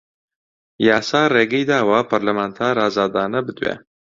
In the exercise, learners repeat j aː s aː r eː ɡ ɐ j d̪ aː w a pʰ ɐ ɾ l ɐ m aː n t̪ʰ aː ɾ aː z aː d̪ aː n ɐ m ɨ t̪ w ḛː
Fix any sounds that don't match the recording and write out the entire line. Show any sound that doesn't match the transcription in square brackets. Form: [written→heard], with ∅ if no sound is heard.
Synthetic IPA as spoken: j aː s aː r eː ɡ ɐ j d̪ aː w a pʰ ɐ ɾ l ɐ m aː n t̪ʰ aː ɾ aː z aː d̪ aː n ɐ [m→b] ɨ [t̪→d̪] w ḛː